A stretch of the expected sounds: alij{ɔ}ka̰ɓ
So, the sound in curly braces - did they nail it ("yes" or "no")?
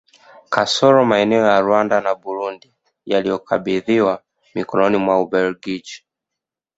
yes